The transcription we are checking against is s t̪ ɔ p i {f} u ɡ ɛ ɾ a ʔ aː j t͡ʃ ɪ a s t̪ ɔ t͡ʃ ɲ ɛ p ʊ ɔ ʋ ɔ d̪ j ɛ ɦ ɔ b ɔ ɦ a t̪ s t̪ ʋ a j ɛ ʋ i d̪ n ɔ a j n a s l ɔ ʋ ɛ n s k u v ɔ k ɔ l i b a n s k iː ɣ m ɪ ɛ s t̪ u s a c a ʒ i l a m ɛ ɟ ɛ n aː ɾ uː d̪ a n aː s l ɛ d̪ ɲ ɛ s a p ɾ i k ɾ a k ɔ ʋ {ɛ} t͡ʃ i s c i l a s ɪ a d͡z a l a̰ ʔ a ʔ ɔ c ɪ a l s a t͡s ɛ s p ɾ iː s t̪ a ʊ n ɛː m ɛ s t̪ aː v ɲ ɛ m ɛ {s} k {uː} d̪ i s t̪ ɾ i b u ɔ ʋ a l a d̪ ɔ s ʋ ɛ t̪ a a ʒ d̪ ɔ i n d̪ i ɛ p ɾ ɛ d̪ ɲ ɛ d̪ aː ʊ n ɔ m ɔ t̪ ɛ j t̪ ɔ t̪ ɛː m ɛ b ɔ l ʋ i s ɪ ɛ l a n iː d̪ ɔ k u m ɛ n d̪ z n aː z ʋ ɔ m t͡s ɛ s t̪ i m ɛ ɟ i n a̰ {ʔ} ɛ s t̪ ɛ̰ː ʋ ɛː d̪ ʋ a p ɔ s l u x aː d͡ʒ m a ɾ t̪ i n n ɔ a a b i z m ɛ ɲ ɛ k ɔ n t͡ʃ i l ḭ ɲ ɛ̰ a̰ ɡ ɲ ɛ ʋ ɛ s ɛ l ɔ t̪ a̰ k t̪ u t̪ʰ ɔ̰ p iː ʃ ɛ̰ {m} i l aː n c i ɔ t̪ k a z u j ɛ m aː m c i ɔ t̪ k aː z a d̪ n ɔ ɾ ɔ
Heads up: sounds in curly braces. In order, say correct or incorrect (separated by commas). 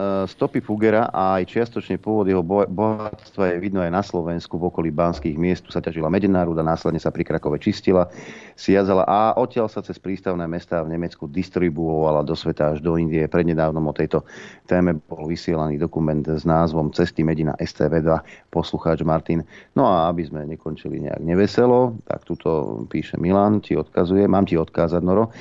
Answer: correct, correct, incorrect, incorrect, correct, correct